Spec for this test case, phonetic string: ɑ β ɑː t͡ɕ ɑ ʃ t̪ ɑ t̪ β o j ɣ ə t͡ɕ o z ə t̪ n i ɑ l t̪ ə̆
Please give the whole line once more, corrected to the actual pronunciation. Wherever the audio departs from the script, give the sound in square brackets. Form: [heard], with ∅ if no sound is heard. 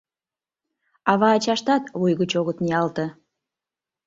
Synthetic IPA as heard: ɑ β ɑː t͡ɕ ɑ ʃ t̪ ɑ t̪ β [u] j ɣ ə t͡ɕ o [ɣ] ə t̪ n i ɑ l t̪ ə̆